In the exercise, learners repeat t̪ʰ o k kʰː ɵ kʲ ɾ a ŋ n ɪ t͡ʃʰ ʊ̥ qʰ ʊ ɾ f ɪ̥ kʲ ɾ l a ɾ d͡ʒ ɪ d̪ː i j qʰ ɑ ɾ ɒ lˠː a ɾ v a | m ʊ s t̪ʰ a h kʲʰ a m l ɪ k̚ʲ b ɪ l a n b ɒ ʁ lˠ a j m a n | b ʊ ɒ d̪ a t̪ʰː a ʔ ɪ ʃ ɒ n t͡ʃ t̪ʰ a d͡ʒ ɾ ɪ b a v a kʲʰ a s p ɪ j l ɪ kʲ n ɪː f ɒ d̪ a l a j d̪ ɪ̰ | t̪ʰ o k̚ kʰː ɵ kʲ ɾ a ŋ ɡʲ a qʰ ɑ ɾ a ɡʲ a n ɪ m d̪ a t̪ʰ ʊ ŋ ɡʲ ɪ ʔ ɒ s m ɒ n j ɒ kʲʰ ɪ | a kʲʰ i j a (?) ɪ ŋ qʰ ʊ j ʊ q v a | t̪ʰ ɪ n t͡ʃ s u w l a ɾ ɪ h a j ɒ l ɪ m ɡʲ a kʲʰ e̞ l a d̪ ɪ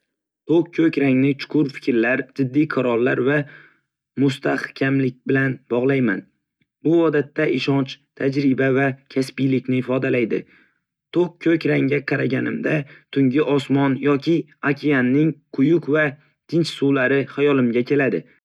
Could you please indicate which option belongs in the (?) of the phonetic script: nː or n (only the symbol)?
nː